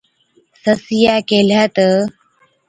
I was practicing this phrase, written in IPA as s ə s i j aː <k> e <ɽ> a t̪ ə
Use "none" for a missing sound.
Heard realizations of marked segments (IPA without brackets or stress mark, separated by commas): k, l